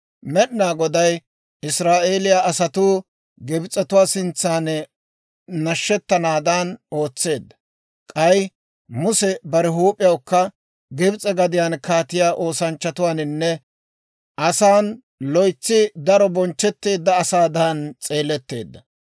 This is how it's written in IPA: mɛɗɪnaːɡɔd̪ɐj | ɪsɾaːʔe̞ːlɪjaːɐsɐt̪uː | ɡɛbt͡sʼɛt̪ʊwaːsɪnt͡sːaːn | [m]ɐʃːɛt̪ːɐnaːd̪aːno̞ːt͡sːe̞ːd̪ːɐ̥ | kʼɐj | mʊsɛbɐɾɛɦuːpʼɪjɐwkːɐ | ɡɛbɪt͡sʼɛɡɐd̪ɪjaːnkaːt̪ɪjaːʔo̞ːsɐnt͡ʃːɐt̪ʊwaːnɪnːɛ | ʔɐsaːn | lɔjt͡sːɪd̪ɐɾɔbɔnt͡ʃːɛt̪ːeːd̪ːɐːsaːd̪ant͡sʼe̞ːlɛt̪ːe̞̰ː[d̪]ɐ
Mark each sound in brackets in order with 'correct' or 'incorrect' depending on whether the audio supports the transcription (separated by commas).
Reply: incorrect, incorrect